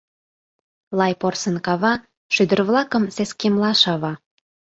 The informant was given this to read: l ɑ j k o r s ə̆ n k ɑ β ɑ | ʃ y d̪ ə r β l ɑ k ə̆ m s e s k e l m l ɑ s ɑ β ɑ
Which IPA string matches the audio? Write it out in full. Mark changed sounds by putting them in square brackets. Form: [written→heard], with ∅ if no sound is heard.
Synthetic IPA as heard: l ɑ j [k→p] o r s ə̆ n k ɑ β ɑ | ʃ y d̪ ə r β l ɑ k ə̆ m s e s k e [l→∅] m l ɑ [s→ʃ] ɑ β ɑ